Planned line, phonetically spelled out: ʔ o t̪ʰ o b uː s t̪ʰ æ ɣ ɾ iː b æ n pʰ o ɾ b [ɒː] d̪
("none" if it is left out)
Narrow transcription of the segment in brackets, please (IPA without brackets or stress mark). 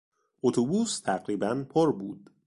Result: uː